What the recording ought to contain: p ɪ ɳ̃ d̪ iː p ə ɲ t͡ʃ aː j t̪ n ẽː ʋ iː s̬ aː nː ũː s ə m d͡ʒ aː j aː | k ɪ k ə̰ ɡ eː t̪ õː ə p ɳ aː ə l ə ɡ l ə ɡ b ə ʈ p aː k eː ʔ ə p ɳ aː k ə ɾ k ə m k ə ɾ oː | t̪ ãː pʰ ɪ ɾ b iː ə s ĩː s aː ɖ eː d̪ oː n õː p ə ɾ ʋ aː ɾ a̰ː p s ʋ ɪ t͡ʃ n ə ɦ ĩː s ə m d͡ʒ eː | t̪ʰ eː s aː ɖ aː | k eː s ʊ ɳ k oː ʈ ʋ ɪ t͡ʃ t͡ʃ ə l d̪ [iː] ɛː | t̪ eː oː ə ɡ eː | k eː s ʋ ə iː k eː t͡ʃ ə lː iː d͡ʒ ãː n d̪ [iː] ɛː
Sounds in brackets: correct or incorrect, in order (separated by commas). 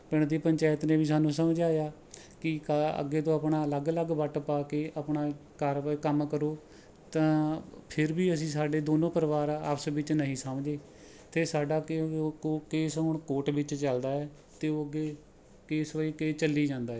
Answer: incorrect, incorrect